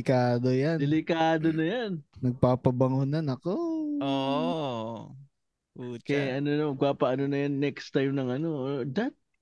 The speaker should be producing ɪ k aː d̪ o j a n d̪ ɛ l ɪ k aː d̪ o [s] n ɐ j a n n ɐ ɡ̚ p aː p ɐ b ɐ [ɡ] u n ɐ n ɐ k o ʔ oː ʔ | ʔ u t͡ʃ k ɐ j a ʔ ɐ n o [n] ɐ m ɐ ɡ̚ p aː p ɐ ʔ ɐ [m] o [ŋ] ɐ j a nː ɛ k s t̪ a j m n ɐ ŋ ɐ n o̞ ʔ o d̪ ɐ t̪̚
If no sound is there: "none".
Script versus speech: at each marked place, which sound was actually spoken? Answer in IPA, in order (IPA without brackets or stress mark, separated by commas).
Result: none, ŋ, n, n, n